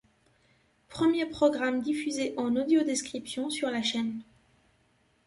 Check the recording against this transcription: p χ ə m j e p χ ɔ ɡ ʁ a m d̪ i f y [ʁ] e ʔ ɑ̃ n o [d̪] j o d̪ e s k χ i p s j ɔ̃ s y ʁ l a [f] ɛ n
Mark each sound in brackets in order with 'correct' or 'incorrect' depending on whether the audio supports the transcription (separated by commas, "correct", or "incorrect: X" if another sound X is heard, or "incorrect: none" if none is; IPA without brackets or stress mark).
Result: incorrect: z, correct, incorrect: ʃ